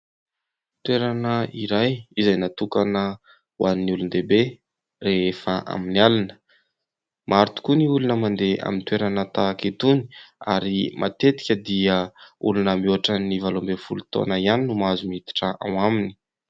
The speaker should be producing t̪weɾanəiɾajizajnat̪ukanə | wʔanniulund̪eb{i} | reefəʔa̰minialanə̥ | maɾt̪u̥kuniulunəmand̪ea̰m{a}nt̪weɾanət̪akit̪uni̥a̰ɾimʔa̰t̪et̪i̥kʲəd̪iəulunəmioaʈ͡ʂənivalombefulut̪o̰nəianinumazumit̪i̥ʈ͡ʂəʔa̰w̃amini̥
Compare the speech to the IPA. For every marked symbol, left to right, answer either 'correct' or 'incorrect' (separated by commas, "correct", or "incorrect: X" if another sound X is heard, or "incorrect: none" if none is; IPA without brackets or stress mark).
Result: incorrect: e, incorrect: i